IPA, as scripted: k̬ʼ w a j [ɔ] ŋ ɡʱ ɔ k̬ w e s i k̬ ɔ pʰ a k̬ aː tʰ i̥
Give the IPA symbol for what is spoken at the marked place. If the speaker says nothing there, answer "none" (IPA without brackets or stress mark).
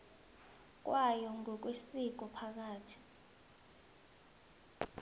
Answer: ɔ